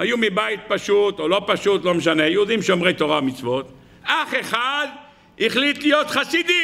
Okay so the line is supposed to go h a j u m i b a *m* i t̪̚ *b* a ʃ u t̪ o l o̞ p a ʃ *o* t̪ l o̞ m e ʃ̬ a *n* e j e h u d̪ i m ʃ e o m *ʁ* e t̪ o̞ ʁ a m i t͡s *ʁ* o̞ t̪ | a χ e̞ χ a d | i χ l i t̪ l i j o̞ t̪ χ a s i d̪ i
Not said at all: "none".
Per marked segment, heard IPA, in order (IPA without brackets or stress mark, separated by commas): none, p, u, n, ʁ, v